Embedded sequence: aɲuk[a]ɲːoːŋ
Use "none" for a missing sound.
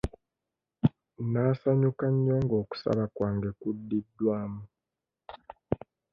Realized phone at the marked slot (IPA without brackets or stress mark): a